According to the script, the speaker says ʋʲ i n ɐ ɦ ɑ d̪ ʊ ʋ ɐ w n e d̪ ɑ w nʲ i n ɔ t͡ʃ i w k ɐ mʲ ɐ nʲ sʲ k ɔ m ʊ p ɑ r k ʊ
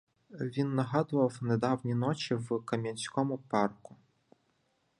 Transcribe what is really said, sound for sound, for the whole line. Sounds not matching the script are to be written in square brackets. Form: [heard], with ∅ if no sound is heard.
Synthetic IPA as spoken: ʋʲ i [nː] ɐ ɦ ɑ d̪ ʊ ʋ ɐ w n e d̪ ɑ w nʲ i n ɔ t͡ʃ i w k ɐ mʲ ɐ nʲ sʲ k ɔ m ʊ p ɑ r k ʊ